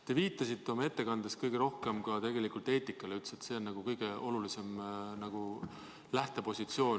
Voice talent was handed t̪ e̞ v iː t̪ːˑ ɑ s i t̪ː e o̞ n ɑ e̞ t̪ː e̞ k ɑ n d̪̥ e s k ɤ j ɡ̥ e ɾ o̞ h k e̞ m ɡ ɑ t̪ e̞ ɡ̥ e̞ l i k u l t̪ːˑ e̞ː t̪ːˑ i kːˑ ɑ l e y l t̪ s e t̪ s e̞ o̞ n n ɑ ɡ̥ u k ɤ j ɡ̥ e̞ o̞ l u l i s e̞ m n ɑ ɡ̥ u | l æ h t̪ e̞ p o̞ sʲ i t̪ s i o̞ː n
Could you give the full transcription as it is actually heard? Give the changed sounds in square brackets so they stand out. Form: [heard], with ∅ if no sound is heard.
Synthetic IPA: t̪ e̞ v iː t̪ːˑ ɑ s i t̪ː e o̞ [m] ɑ e̞ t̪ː e̞ k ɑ n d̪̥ e s k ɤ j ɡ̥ e ɾ o̞ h k e̞ m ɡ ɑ t̪ e̞ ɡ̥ e̞ l i k u l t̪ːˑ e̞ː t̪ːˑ i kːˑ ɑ l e y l t̪ s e t̪ s e̞ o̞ n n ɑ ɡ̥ u k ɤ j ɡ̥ e̞ o̞ l u l i s e̞ m n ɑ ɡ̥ u | l æ h t̪ e̞ p o̞ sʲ i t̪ s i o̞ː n